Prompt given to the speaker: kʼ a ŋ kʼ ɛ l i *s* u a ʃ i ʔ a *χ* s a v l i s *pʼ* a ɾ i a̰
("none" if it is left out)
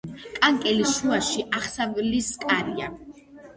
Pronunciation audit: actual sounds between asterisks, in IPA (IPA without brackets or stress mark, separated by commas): ʃ, χ, kʼ